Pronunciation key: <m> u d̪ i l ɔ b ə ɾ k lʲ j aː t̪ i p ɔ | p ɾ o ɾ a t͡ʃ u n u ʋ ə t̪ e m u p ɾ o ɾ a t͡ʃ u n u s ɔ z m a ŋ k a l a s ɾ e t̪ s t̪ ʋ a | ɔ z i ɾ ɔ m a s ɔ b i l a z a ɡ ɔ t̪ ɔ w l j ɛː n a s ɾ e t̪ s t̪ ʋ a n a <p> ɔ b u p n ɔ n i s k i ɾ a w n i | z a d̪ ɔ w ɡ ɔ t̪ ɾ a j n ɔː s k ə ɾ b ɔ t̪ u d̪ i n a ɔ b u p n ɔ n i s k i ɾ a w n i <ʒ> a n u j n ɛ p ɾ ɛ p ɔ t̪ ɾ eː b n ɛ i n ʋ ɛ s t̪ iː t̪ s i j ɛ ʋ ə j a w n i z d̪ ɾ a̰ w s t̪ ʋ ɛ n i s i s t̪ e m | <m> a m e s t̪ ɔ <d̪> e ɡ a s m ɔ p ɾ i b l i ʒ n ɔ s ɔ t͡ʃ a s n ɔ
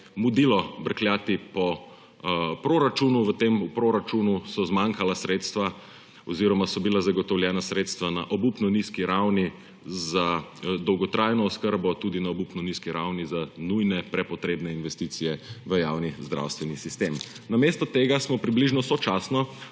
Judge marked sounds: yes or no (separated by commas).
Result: yes, no, no, no, no